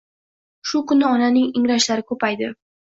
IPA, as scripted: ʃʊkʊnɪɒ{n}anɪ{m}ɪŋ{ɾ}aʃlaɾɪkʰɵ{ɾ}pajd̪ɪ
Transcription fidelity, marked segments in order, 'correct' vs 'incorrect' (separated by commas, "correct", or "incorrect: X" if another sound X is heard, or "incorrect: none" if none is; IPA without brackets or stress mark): correct, incorrect: ŋ, correct, incorrect: none